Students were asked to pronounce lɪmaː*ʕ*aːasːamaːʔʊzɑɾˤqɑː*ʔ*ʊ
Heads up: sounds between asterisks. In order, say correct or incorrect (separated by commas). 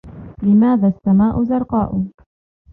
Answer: incorrect, correct